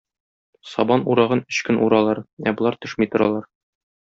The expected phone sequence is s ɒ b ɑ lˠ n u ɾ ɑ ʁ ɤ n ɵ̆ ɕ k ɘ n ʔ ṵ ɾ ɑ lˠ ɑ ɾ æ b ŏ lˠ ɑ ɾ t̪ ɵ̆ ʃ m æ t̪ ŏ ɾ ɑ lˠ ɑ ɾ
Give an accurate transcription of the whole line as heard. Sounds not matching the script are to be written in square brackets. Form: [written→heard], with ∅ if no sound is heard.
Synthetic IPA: s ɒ b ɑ [lˠ→∅] n u ɾ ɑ ʁ ɤ n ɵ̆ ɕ k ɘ n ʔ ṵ ɾ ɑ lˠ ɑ ɾ æ b ŏ lˠ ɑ ɾ t̪ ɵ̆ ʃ m [æ→i] t̪ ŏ ɾ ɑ lˠ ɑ ɾ